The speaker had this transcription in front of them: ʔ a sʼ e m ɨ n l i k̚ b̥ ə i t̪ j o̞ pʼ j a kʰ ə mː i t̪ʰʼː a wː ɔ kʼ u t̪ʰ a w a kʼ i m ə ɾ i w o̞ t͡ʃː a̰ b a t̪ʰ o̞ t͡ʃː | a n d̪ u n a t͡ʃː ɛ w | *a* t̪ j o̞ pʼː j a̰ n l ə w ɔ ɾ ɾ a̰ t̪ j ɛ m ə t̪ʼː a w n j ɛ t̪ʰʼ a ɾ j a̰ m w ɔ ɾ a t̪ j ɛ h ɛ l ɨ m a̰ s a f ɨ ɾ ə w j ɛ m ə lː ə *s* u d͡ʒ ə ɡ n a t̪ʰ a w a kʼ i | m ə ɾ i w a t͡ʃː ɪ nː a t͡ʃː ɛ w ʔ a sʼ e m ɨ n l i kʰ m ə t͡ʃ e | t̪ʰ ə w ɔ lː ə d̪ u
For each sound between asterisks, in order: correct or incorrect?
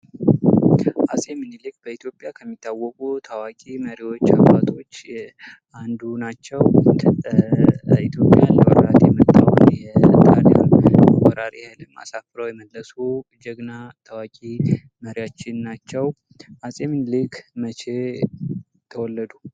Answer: incorrect: i, correct

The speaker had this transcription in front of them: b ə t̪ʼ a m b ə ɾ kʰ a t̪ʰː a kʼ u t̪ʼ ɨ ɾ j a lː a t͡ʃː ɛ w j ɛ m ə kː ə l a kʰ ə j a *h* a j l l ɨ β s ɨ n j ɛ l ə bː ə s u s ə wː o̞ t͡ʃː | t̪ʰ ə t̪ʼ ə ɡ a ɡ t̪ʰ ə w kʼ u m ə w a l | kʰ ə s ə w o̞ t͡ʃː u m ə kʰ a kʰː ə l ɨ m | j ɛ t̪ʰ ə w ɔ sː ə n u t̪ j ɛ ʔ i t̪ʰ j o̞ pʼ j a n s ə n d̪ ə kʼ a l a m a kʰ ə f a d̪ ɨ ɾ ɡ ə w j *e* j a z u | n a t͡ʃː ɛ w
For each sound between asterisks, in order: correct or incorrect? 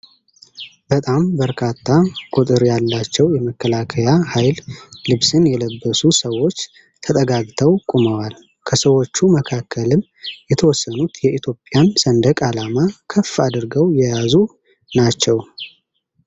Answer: correct, incorrect: ɛ

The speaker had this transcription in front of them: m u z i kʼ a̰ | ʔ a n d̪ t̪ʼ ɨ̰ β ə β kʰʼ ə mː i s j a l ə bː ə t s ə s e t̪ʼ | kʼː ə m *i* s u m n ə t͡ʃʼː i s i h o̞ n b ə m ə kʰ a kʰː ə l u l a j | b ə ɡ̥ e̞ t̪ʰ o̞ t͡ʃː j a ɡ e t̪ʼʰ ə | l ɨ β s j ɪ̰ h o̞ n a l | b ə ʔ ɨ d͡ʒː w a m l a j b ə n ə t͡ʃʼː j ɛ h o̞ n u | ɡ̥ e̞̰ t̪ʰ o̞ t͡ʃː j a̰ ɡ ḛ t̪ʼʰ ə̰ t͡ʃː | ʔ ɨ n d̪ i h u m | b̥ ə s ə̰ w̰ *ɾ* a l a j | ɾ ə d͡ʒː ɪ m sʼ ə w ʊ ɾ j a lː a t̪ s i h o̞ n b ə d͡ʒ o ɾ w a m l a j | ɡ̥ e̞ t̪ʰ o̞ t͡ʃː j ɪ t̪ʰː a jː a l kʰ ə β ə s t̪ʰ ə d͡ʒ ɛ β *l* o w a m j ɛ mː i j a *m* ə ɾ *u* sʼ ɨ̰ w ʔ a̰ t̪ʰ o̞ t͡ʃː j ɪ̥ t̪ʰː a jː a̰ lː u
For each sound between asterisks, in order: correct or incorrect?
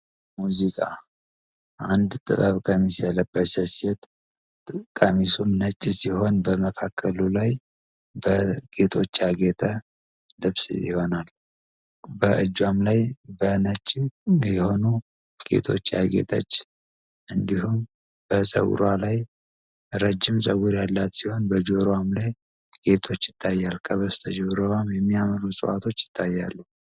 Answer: correct, correct, incorrect: ɾ, correct, correct

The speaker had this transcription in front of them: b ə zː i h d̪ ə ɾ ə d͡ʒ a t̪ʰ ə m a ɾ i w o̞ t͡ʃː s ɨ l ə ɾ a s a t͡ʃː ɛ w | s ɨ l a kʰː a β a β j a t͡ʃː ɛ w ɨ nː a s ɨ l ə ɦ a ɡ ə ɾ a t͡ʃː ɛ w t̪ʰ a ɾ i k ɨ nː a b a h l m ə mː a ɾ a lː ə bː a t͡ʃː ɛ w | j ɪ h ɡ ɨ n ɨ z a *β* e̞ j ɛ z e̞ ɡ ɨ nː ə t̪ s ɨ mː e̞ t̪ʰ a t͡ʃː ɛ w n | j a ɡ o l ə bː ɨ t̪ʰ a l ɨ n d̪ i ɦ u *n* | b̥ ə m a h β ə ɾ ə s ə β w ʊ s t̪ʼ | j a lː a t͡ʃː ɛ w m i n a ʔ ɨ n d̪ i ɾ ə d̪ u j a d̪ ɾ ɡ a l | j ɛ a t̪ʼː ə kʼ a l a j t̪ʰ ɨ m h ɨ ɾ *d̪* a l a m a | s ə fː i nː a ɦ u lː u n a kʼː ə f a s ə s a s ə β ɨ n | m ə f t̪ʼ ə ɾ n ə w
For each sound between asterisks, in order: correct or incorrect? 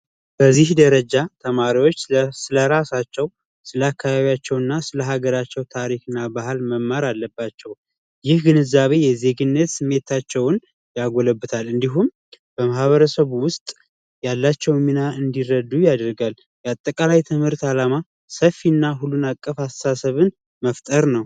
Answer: correct, incorrect: m, incorrect: t̪

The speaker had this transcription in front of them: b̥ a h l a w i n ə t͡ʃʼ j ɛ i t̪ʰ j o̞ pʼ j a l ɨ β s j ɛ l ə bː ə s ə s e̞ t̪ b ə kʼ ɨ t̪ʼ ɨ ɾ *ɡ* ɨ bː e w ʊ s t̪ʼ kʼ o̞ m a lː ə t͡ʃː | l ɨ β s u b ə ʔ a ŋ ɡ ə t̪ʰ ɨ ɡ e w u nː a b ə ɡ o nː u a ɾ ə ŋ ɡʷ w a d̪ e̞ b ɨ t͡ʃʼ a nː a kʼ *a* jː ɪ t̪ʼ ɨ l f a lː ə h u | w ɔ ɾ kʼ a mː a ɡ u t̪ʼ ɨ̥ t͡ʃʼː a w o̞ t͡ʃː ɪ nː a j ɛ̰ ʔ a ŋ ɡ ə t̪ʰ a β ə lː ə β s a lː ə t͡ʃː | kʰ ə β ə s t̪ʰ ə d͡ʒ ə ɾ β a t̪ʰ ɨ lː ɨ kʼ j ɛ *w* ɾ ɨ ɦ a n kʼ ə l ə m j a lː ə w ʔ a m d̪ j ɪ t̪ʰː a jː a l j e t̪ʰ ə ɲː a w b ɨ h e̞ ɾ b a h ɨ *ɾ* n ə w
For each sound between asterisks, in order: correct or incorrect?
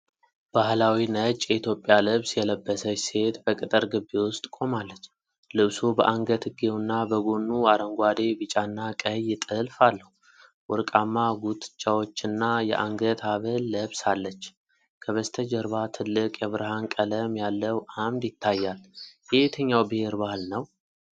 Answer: correct, incorrect: ə, incorrect: β, incorrect: l

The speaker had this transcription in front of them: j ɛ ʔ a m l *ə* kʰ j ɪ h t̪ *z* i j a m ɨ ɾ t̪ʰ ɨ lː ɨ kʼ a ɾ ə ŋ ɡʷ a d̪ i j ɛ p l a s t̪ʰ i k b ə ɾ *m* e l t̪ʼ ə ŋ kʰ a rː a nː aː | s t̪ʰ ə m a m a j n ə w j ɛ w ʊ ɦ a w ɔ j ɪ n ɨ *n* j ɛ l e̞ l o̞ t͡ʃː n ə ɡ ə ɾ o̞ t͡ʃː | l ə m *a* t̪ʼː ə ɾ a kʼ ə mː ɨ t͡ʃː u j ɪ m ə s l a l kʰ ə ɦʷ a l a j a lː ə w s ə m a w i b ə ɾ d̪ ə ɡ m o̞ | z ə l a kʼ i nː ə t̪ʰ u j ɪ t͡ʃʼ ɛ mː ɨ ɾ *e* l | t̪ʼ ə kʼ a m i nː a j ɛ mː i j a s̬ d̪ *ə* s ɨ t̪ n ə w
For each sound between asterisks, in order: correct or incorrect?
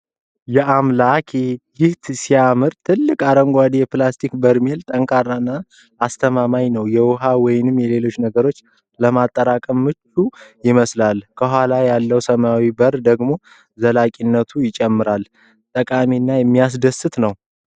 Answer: incorrect: a, incorrect: s, correct, incorrect: m, correct, incorrect: a, correct

